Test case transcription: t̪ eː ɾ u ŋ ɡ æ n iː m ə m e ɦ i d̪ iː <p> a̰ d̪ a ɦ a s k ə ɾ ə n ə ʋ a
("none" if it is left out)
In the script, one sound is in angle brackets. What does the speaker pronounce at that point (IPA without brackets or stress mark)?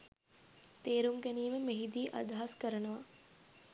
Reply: ʔ